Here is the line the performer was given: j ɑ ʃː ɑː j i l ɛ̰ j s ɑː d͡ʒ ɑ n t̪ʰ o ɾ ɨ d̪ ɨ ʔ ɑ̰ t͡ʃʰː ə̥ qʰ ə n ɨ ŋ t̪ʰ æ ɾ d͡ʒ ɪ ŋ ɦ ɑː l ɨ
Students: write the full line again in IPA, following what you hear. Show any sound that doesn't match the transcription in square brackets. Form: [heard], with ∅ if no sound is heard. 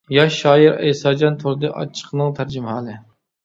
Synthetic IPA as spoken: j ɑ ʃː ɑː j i [ɾ] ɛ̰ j s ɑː d͡ʒ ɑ n t̪ʰ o ɾ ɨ d̪ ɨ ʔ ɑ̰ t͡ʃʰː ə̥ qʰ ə n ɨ ŋ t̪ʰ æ ɾ d͡ʒ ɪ [m] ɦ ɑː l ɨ